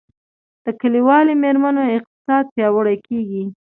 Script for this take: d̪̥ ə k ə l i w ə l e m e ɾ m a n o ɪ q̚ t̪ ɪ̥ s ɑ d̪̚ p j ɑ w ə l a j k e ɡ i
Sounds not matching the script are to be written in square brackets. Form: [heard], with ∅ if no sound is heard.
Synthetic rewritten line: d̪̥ ə k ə l i w [ɑ] l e m e ɾ m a n o ɪ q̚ t̪ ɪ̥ s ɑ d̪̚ p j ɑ w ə [ɽ] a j k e ɡ i